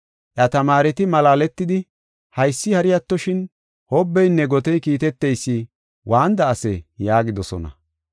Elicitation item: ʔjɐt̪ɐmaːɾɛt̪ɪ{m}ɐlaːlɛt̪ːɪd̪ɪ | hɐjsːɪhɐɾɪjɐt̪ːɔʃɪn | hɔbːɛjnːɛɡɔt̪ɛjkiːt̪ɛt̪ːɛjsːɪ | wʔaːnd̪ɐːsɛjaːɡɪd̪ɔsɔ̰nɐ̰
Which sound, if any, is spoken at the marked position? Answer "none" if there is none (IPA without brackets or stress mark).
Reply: m